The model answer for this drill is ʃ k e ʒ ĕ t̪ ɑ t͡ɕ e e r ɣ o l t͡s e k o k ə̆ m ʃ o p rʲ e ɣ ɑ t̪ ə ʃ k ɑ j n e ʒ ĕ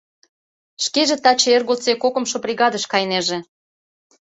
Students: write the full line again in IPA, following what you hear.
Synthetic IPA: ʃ k e ʒ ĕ t̪ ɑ t͡ɕ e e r ɣ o l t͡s e k o k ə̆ m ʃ o p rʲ i ɣ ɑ d̪ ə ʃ k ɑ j n e ʒ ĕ